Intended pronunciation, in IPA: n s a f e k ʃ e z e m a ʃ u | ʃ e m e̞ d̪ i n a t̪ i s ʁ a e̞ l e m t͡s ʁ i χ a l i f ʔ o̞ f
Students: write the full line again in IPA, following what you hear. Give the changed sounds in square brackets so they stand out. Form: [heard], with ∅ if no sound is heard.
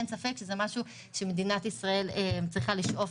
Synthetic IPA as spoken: n s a f e k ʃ e z e m a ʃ u | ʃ e m e̞ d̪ i n a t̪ i s ʁ a e̞ l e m t͡s ʁ i χ a l i [ʃ] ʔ o̞ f